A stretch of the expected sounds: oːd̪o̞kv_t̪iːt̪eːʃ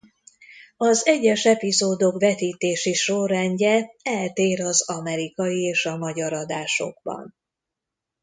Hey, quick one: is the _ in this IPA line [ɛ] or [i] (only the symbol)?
ɛ